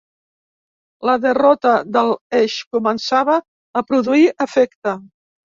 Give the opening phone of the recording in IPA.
l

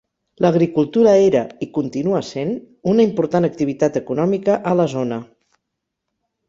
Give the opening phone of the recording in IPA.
l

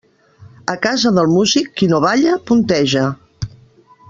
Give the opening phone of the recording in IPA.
ə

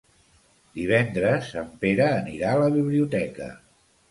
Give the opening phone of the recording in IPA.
d̪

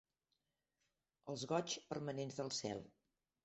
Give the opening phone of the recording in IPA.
ə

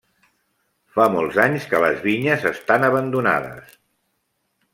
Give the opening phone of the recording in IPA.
f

